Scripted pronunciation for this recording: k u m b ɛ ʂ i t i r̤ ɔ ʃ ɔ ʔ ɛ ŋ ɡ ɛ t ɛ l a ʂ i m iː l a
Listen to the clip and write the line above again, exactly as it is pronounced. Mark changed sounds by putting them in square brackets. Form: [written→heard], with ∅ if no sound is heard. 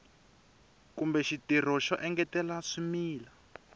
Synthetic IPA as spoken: k u m b ɛ [ʂ→ʃ] i t i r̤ ɔ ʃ ɔ ʔ ɛ ŋ ɡ ɛ t ɛ l a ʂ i m iː l a